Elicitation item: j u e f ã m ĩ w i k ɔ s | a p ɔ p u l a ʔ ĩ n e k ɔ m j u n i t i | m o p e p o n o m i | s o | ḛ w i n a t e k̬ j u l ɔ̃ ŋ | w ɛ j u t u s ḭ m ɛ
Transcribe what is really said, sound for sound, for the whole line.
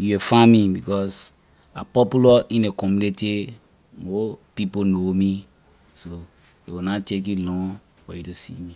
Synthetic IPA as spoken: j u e f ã m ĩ b i k ɔ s | a p ɔ p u l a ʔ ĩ n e k ɔ m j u n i t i | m o p i p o n o m i | s o | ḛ w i n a t e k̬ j u l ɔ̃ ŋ | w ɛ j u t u s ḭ m i

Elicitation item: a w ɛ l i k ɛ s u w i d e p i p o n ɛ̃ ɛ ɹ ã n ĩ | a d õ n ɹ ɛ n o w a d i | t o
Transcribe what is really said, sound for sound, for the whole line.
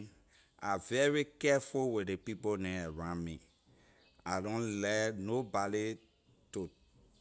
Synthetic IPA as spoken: a v ɛ ɹ i k ɛ f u w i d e p i p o n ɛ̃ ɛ ɹ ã m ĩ | a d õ n l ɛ n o b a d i | t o

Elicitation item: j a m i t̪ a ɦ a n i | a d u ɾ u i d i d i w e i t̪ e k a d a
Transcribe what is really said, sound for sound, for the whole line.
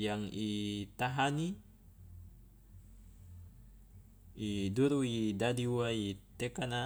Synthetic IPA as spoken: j a ŋ i t̪ a ɦ a n i | i d u ɾ u i d a d i w a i t̪ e k a n a

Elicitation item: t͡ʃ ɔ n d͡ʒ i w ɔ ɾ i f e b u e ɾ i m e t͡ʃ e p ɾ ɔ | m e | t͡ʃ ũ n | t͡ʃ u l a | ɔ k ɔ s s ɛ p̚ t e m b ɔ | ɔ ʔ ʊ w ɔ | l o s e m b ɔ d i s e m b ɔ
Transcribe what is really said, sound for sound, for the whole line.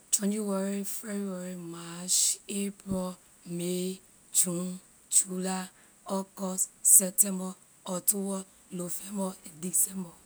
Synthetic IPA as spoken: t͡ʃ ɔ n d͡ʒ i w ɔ ɾ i f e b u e ɾ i m a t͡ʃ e p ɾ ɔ | m e | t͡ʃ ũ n | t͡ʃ u l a | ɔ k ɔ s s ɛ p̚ t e m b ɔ | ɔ t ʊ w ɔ | l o f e m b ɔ d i s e m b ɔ

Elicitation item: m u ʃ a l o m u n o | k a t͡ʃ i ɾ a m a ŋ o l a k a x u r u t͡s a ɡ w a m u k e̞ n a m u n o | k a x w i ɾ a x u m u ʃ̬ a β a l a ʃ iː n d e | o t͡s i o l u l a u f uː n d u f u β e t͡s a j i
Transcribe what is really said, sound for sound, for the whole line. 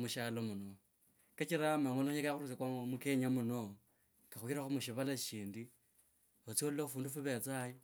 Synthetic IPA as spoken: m u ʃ a l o m u n o | k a t͡ʃ i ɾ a m a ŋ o l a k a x u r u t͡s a k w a m u k e̞ ɲ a m u n o | k a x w i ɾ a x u m u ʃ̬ i β a l a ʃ iː n d i | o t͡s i o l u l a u f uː n d u f u β e t͡s a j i

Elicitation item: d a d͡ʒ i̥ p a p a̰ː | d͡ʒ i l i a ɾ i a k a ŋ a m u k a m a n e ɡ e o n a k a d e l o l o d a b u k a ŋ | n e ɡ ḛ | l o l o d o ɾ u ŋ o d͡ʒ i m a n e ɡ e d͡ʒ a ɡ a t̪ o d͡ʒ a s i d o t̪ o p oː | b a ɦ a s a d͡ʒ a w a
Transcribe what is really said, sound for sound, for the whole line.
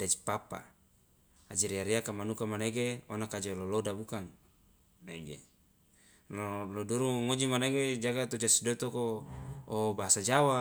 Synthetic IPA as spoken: d a d͡ʒ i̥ p a p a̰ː | d͡ʒ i ɾ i a ɾ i a k a m a n u k a m a n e ɡ e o n a k a d͡ʒ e l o l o d a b u k a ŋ | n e ɡ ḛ | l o l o d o ɾ u ŋ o d͡ʒ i m a n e ɡ e d͡ʒ a ɡ a t̪ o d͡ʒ a s i d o t̪ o k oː | b a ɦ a s a d͡ʒ a w a

